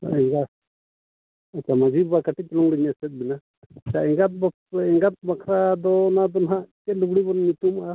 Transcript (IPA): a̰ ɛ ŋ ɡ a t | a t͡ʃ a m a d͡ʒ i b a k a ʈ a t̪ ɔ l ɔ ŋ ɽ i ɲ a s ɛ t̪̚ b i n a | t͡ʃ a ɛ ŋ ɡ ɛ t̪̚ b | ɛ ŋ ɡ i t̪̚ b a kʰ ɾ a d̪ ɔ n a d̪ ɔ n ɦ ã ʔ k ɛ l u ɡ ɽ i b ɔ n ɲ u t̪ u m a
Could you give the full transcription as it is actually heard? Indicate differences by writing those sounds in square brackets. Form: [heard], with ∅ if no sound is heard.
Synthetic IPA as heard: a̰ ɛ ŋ ɡ a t | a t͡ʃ a m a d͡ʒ i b a k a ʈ [i] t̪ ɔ l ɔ ŋ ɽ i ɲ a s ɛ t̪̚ b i n a | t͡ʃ a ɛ ŋ ɡ [a] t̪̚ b | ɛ ŋ ɡ [a] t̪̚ b a kʰ ɾ a d̪ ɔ n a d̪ ɔ n ɦ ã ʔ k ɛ l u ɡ ɽ i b ɔ n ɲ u t̪ u m a